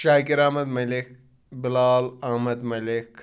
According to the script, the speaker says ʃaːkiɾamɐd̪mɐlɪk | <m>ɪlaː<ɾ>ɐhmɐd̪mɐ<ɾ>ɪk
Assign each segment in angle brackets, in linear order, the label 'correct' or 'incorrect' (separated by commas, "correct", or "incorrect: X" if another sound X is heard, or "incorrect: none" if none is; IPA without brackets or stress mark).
incorrect: b, incorrect: l, incorrect: l